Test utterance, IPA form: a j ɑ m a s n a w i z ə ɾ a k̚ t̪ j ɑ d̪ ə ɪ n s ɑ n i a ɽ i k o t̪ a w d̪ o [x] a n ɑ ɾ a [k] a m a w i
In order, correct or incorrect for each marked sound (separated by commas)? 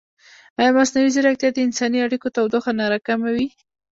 correct, correct